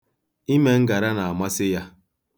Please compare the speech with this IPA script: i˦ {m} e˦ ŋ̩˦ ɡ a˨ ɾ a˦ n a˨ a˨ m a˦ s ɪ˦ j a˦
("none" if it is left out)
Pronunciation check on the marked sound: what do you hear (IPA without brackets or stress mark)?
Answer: m